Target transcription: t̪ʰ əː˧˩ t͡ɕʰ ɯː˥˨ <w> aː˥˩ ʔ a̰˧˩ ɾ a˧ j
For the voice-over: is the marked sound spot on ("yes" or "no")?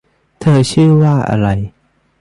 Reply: yes